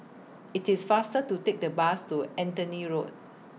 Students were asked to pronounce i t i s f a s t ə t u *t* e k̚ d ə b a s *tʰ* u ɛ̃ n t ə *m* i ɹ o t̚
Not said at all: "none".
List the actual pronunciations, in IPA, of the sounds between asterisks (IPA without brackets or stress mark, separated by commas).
t, t, n